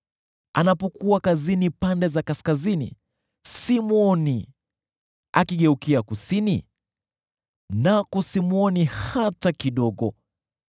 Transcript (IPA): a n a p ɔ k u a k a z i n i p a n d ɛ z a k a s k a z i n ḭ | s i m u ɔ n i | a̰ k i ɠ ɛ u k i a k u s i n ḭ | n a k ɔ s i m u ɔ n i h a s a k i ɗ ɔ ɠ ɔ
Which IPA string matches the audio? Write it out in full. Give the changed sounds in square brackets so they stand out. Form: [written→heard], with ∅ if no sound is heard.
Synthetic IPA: a n a p ɔ k u a k a z i n i p a n d ɛ z a k a s k a z i n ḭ | s i m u ɔ n i | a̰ k i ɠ ɛ u k i a k u s i n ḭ | n a k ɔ s i m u ɔ n i h a [s→t] a k i ɗ ɔ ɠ ɔ